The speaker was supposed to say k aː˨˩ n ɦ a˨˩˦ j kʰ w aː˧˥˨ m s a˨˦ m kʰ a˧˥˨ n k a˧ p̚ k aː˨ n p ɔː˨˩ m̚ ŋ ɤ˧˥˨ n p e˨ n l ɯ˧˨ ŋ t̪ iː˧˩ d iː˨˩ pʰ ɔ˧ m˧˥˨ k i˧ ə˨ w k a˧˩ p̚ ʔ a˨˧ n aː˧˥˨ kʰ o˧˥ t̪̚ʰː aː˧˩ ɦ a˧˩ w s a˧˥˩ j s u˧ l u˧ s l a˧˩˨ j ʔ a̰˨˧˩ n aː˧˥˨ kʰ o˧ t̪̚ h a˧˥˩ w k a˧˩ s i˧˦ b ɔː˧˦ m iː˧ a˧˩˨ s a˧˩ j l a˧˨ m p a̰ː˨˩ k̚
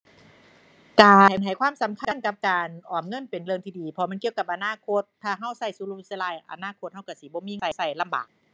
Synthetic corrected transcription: k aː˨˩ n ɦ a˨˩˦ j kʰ w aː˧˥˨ m s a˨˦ m kʰ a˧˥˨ n k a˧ p̚ k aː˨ n ʔ ɔː˨˩ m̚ ŋ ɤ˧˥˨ n p e˨ n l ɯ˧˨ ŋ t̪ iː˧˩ d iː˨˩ pʰ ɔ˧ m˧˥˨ k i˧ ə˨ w k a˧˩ p̚ ʔ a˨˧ n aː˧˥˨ kʰ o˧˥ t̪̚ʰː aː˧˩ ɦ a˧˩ w s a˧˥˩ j s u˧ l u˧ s l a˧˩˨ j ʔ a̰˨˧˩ n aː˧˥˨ kʰ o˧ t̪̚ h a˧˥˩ w k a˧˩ s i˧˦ b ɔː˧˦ m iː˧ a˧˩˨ s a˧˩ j l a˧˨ m b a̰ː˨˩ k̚